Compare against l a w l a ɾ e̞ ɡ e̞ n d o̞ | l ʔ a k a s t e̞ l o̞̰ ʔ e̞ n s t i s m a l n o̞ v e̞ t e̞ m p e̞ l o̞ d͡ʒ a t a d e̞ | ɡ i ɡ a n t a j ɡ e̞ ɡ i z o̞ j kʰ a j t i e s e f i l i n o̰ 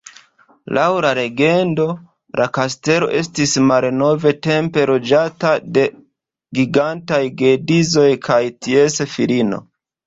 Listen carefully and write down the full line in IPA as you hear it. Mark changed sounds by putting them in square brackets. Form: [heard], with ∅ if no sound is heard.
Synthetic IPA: l a w l a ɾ e̞ ɡ e̞ n d o̞ | l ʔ a k a s t e̞ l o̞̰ ʔ e̞ [∅] s t i s m a l n o̞ v e̞ t e̞ m p e̞ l o̞ d͡ʒ a t a d e̞ | ɡ i ɡ a n t a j ɡ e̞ [d] i z o̞ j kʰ a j t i e s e f i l i n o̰